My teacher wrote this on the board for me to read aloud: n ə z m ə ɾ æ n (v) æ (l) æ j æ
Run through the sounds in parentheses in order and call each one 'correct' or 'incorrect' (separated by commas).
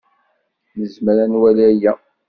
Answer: incorrect, correct